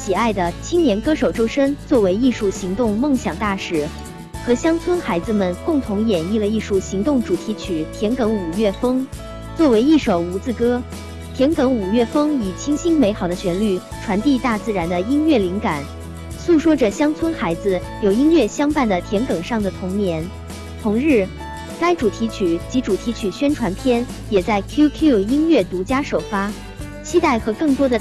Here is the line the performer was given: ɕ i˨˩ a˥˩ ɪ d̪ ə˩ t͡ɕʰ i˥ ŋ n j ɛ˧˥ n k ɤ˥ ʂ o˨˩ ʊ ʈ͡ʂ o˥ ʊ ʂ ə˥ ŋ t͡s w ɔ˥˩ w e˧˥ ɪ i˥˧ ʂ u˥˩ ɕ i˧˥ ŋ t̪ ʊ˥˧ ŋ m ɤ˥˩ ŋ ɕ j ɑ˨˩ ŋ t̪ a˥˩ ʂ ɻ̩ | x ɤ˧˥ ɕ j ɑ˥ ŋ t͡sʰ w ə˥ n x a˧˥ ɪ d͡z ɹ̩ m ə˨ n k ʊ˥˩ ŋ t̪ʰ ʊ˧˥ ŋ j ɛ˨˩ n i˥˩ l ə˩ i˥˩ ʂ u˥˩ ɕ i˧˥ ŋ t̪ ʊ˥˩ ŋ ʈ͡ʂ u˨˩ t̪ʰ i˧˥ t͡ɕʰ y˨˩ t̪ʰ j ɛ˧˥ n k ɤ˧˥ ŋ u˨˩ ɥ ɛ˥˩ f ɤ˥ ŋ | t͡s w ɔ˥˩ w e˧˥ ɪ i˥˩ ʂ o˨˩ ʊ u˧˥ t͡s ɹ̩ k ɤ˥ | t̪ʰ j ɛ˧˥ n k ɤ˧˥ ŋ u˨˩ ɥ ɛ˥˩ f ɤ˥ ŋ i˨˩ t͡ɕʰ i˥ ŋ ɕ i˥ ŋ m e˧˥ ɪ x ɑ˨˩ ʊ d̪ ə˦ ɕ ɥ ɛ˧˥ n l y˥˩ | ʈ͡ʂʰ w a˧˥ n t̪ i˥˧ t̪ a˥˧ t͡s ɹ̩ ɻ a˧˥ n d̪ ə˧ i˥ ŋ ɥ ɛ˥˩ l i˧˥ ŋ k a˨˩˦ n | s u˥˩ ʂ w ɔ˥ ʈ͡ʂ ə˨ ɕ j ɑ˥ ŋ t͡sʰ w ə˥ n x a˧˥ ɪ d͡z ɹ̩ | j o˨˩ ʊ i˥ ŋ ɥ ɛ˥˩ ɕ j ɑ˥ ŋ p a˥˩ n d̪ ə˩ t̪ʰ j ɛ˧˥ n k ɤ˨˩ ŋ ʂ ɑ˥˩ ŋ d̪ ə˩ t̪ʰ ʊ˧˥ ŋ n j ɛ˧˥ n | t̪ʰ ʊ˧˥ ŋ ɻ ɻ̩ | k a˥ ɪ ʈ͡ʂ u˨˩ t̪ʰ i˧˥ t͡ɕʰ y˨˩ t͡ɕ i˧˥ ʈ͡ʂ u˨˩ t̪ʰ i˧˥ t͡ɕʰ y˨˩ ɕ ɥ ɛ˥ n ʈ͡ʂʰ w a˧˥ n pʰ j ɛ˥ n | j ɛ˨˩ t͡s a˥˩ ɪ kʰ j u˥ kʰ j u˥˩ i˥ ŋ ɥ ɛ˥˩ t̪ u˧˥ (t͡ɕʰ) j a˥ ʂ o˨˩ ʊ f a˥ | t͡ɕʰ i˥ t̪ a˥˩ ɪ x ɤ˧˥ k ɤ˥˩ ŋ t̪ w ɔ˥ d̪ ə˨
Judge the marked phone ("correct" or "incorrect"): incorrect